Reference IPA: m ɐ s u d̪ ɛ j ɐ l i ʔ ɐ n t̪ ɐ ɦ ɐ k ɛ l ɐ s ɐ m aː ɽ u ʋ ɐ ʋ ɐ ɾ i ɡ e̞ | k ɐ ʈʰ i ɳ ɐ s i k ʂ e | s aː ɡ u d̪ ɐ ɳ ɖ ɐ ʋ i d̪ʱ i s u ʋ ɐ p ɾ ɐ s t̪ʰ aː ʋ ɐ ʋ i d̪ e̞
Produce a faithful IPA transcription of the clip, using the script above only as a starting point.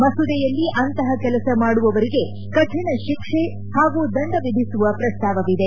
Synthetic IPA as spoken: m ɐ s u d̪ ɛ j ɐ lː i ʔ ɐ n t̪ ɐ ɦ ɐ k ɛ l ɐ s ɐ m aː ɽ u ʋ ɐ ʋ ɐ ɾ i ɡ e̞ | k ɐ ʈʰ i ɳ ɐ ʃ i k ʂ e | h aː ɡ u d̪ ɐ ɳ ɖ ɐ ʋ i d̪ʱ i s u ʋ ɐ p ɾ ɐ s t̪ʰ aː ʋ ɐ ʋ i d̪ e̞

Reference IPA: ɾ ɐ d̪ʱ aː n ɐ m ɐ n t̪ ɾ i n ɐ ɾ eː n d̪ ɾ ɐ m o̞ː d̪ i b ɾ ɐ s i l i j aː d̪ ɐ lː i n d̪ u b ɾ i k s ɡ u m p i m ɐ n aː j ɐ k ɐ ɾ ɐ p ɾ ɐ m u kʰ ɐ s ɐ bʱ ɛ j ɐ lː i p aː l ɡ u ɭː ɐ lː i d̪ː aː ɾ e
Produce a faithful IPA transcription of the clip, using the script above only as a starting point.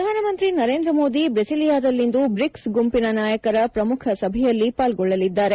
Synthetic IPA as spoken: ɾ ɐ d̪ʱ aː n ɐ m ɐ n t̪ ɾ i n ɐ ɾ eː n d̪ ɾ ɐ m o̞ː d̪ i b ɾ ɐ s i l i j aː d̪ ɐ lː i n d̪ u b ɾ i k s ɡ u m p i n ɐ n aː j ɐ k ɐ ɾ ɐ p ɾ ɐ m u kʰ ɐ s ɐ bʱ ɛ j ɐ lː i p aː l ɡ ɔ ɭː ɐ l i d̪ː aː ɾ e

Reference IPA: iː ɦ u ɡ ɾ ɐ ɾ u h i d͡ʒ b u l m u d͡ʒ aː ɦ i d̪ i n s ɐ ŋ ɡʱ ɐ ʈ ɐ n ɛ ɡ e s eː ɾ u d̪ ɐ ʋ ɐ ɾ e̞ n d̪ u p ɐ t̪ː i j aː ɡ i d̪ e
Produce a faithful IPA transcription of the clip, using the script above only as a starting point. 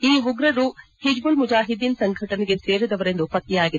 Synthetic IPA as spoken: iː ɦ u ɡ ɾ ɐ ɾ u h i d͡ʒ b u l m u d͡ʒ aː ɦ i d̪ i n s ɐ ŋ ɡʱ ɐ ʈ ɐ n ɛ ɡ e s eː ɾ u d̪ ɐ ʋ ɐ ɾ e̞ n d̪ u p ɐ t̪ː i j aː ɡ i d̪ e

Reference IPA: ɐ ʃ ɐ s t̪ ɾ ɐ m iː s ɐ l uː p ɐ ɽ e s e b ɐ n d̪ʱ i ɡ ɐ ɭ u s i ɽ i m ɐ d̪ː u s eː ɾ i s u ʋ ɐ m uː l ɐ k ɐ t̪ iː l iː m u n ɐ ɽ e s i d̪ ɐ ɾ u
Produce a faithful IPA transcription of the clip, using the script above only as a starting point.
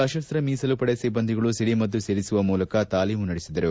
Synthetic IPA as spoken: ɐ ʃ ɐ s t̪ ɾ ɐ m iː s ɐ l u p ɐ ɽ e s i b ɐ n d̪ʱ i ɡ ɐ ɭ u s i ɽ i m ɐ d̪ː u s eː ɾ i s u ʋ ɐ m uː l ɐ k ɐ t̪ aː l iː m u n ɐ ɽ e s i d̪ ɐ ɾ u

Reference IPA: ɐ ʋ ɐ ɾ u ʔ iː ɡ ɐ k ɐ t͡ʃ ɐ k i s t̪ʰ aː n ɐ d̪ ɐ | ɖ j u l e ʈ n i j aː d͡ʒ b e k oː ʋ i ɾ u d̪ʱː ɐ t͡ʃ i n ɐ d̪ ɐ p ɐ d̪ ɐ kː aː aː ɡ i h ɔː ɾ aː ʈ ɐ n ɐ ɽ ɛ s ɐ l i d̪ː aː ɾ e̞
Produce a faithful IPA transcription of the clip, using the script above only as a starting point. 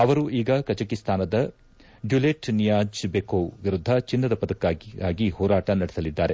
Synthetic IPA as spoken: ɐ ʋ ɐ ɾ u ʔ iː ɡ ɐ k ɐ t͡ʃ ɐ k i s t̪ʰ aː n ɐ d̪ ɐ | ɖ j u l e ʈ n i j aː d͡ʒ b e k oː ʋ i ɾ u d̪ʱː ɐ t͡ʃ i nː ɐ d̪ ɐ p ɐ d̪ ɐ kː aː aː ɡ i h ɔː ɾ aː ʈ ɐ n ɐ ɽ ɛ s ɐ l i d̪ː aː ɾ e̞

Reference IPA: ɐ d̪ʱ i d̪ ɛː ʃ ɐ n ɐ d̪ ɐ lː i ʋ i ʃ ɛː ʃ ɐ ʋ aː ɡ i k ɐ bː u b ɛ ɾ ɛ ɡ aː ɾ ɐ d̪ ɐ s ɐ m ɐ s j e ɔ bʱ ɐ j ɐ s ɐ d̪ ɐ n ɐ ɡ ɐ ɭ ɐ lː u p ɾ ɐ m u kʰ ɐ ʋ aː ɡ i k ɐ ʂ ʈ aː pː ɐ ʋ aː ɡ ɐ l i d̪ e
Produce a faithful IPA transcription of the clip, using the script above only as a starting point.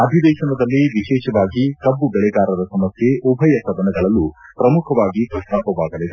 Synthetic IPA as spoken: ɐ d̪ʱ i d̪ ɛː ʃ ɐ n ɐ d̪ ɐ lː i ʋ i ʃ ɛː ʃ ɐ ʋ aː ɡ i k ɐ bː u b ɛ ɭ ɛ ɡ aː ɾ ɐ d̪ ɐ s ɐ m ɐ s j e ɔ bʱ ɐ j ɐ s ɐ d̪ ɐ n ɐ ɡ ɐ ɭ ɐ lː u p ɾ ɐ m u kʰ ɐ ʋ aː ɡ i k ɐ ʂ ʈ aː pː ɐ ʋ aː ɡ ɐ l i d̪ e

